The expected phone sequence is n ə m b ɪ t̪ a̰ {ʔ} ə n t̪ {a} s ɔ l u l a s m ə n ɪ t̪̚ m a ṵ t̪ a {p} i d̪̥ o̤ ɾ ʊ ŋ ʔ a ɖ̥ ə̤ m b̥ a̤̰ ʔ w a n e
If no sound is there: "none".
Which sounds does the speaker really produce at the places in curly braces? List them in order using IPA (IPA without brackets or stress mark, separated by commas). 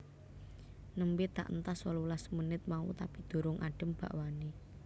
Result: ʔ, a, p